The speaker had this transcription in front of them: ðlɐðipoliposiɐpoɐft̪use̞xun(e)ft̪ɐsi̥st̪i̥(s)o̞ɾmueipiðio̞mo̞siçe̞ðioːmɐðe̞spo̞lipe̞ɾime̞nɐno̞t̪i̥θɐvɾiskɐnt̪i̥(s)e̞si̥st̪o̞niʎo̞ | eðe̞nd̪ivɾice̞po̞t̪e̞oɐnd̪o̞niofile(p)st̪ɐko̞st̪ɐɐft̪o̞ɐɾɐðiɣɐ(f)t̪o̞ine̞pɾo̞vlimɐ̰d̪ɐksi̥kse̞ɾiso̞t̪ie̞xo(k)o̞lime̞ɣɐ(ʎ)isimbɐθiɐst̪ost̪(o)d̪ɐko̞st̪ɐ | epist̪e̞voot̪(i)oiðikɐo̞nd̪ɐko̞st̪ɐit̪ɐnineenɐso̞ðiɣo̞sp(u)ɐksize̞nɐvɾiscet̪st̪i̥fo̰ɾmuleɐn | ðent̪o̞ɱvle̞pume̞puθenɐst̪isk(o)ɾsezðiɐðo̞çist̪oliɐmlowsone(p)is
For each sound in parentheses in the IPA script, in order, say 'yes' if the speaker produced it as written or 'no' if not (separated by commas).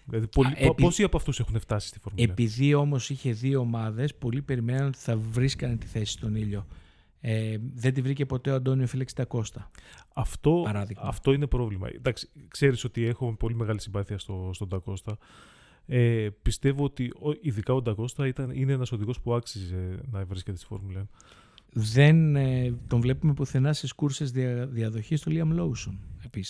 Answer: yes, no, no, no, yes, no, no, yes, yes, yes, no, yes